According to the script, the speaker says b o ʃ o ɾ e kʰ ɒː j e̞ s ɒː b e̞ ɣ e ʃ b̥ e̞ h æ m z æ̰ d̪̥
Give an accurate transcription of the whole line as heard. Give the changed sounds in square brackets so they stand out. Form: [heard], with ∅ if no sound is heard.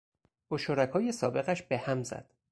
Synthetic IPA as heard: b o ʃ o ɾ [æ] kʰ ɒː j e̞ s ɒː b e̞ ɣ [æ] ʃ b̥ e̞ h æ m z æ̰ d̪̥